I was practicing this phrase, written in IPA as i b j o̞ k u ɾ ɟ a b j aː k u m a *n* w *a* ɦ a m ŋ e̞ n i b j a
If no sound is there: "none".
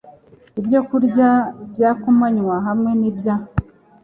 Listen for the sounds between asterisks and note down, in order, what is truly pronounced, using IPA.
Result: ɲ, a

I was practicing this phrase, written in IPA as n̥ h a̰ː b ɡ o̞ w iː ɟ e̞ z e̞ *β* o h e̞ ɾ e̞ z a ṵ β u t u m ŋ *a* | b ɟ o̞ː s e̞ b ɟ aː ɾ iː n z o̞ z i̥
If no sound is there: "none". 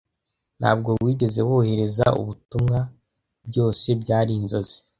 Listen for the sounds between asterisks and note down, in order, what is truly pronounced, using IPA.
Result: w, a

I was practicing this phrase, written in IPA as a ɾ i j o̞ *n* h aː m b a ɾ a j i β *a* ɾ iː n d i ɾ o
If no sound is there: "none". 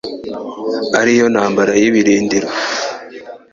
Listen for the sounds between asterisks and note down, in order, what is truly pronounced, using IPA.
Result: n, i

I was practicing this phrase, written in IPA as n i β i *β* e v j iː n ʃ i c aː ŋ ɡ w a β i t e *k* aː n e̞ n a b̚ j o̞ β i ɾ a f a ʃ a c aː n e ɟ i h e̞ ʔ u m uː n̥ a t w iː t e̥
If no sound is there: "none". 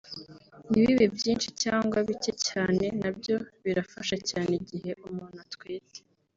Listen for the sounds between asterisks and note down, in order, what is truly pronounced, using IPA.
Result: β, c

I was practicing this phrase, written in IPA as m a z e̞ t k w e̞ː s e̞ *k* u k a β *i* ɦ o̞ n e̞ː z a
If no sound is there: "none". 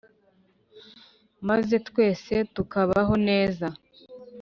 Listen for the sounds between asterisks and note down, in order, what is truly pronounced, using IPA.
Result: t, a

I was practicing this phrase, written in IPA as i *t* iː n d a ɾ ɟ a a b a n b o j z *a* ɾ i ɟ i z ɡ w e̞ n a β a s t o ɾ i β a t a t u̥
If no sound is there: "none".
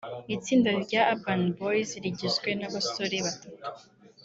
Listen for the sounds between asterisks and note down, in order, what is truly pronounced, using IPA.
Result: t͡s, i

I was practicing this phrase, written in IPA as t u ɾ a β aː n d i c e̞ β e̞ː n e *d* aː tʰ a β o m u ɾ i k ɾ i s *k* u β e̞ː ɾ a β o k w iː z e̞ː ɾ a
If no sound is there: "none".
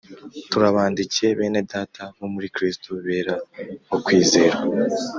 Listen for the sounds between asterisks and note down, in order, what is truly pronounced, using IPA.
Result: d, t

